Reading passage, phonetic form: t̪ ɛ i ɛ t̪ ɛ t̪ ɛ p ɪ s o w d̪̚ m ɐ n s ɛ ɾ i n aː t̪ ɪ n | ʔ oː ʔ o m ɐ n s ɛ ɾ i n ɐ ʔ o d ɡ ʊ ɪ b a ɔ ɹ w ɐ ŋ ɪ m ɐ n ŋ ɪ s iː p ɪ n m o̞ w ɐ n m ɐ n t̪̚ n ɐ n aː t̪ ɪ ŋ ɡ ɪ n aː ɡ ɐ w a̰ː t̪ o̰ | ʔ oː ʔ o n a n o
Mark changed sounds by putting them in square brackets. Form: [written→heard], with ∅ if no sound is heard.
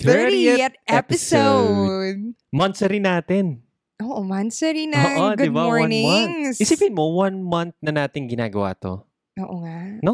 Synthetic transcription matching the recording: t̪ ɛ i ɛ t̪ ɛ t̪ ɛ p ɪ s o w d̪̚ m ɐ n s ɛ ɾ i n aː t̪ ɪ n | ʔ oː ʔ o m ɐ n s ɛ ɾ i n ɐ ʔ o d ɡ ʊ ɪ b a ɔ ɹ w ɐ [ŋ→n] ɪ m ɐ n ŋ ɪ s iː p ɪ n m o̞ w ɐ n m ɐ n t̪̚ n ɐ n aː t̪ ɪ ŋ ɡ ɪ n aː ɡ ɐ w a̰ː t̪ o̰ | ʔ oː ʔ o [n→ŋ] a n o